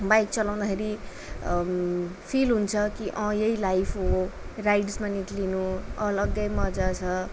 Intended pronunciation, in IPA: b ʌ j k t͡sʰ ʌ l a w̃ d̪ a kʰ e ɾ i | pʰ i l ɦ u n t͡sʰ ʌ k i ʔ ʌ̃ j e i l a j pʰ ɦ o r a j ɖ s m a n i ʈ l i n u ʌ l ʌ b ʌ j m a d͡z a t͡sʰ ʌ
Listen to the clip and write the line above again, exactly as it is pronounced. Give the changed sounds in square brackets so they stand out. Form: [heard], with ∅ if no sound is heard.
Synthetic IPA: b [a] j k [t͡s] ʌ l a w̃ d̪ a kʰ e ɾ i | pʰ i l ɦ u n t͡sʰ ʌ k i ʔ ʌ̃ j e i l a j pʰ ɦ o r a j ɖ s m a n i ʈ l i n u ʌ l ʌ [ɡ] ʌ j m [ʌ] d͡z a t͡sʰ ʌ